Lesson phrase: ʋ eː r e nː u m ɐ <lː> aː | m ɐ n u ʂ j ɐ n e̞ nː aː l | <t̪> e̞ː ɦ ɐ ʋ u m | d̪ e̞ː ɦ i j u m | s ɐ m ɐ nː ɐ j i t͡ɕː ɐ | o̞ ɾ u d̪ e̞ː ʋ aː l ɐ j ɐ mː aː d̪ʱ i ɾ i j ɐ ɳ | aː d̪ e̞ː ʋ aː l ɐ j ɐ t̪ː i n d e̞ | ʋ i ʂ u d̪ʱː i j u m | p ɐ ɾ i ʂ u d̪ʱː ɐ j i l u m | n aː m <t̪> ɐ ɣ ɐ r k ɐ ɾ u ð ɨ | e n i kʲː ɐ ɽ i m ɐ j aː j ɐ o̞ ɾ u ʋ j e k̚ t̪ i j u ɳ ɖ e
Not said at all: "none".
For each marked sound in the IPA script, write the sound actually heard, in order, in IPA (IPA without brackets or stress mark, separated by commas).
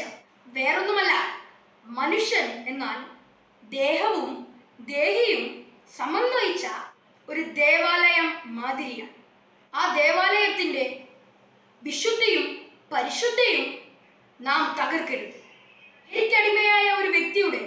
lː, d̪, t̪